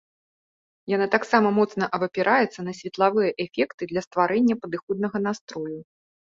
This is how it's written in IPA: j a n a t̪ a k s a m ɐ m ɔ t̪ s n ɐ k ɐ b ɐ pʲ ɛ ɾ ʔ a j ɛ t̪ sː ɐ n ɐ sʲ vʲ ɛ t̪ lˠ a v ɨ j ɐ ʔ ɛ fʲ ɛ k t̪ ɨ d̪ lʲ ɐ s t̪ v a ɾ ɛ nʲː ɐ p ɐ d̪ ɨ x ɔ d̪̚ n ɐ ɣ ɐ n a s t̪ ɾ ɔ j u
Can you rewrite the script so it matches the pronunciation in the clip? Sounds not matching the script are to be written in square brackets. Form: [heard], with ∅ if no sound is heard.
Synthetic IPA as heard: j a n a t̪ a k s a m ɐ m ɔ t̪ s n ɐ [ʔ] ɐ b ɐ pʲ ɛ ɾ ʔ a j ɛ t̪ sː ɐ n ɐ sʲ vʲ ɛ t̪ lˠ a v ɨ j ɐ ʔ ɛ fʲ ɛ k t̪ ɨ d̪ lʲ ɐ s t̪ v a ɾ ɛ nʲː ɐ p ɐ d̪ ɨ x ɔ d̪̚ n ɐ ɣ ɐ n a s t̪ ɾ ɔ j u

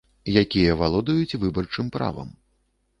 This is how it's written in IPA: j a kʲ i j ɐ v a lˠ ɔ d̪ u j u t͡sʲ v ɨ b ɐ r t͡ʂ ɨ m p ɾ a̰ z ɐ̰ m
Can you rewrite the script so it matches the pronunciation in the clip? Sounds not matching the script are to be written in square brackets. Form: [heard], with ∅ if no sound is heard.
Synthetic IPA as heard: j a kʲ i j ɐ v a lˠ ɔ d̪ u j u t͡sʲ v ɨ b ɐ r t͡ʂ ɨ m p ɾ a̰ [v] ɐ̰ m

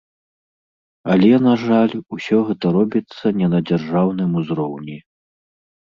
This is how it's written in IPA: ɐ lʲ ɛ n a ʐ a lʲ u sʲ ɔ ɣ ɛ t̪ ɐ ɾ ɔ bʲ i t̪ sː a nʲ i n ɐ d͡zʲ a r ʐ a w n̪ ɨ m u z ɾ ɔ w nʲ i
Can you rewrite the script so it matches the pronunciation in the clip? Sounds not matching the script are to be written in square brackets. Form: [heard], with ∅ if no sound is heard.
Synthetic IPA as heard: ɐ lʲ ɛ n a ʐ a lʲ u sʲ ɔ ɣ ɛ t̪ ɐ ɾ ɔ bʲ i t̪ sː [ɐ] nʲ [ɛ] n ɐ d͡zʲ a r ʐ a w n̪ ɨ m u z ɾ ɔ w nʲ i

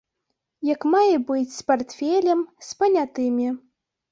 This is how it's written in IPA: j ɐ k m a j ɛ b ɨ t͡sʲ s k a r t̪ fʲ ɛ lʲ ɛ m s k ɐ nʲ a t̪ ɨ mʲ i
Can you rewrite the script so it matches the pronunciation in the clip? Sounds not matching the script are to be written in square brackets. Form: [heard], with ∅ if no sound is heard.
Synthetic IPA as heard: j ɐ k m a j ɛ b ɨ t͡sʲ s [p] a r t̪ fʲ ɛ lʲ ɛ m s [p] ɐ nʲ a t̪ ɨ mʲ i

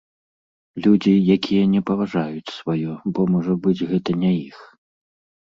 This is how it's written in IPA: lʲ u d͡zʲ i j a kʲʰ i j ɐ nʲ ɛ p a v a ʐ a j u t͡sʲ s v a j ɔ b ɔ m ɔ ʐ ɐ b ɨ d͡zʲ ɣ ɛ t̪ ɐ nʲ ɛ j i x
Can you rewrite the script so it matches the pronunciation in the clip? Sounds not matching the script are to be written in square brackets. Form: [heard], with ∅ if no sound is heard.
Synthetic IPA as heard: lʲ u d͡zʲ i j a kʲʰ i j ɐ nʲ ɛ p [ɐ] v a ʐ a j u t͡sʲ s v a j ɔ b ɔ m ɔ ʐ ɐ b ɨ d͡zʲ ɣ ɛ t̪ ɐ nʲ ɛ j i x

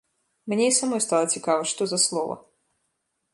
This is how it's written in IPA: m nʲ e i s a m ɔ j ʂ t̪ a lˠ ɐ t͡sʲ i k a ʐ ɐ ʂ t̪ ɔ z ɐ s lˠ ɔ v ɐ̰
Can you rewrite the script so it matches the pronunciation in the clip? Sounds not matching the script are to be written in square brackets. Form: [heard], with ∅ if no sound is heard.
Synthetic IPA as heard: m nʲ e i s a m ɔ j [s] t̪ a lˠ ɐ t͡sʲ i k a [v] ɐ ʂ t̪ ɔ z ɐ s lˠ ɔ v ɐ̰

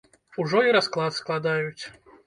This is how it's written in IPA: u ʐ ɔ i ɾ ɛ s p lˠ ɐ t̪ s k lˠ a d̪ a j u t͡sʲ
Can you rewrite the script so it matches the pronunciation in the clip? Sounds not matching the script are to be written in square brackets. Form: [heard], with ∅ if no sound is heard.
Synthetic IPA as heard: u ʐ ɔ i ɾ [a] s [k] lˠ [a] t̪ s k lˠ a d̪ a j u t͡sʲ

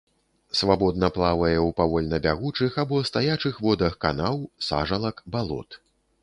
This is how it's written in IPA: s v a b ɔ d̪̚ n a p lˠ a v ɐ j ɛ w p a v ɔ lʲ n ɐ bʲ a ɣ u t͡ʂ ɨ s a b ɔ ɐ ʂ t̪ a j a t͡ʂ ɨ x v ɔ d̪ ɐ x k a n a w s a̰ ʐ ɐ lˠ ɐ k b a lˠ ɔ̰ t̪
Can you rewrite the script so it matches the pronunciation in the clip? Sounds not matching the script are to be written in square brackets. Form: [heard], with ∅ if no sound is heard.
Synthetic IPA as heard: s v a b ɔ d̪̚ n [ɐ] p lˠ a v ɐ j ɛ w p a v ɔ lʲ n ɐ bʲ a ɣ u t͡ʂ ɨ [x] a b ɔ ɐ [s] t̪ a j a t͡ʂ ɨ x v ɔ d̪ ɐ x k a n a w s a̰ ʐ ɐ lˠ ɐ k b a lˠ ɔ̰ t̪

